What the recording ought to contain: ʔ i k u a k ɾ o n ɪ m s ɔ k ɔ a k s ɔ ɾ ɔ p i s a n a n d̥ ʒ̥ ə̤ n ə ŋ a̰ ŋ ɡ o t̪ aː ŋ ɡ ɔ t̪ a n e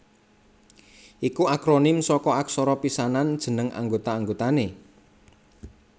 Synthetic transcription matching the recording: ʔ i k u a k ɾ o n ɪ m s ɔ k ɔ a k s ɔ ɾ ɔ p i s a n a n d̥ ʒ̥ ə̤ n ə ŋ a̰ ŋ ɡ o t̪ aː ŋ ɡ o t̪ a n e